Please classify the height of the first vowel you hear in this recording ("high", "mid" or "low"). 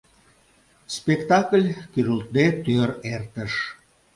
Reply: mid